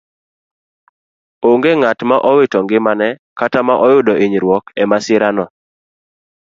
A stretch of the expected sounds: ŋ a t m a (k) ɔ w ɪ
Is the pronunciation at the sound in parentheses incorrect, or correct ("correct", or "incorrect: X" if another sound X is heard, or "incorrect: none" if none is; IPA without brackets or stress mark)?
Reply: incorrect: ʔ